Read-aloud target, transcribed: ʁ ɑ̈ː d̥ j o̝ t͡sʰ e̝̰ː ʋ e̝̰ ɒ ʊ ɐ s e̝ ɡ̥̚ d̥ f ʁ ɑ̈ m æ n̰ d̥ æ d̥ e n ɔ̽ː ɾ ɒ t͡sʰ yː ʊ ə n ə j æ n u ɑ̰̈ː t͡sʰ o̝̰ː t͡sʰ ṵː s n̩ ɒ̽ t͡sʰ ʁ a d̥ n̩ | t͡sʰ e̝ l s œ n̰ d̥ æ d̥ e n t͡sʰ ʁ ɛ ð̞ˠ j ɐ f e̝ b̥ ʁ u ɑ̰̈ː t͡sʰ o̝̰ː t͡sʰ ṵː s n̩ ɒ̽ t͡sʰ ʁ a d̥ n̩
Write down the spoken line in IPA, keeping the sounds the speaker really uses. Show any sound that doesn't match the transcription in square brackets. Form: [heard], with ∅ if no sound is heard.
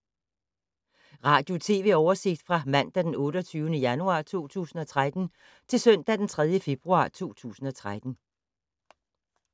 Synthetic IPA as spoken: ʁ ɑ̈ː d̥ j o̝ t͡sʰ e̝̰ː ʋ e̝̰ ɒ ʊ ɐ s e̝ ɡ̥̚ d̥ f ʁ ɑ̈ m æ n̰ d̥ æ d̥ e n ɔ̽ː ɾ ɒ t͡sʰ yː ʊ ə n ə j æ n u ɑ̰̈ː t͡sʰ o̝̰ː t͡sʰ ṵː s n̩ ɒ̽ t͡sʰ ʁ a d̥ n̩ | t͡sʰ e̝ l s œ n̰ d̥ æ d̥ e n t͡sʰ ʁ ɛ ð̞ˠ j [ə] f e̝ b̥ ʁ u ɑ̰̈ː t͡sʰ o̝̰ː t͡sʰ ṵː s n̩ ɒ̽ t͡sʰ ʁ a d̥ n̩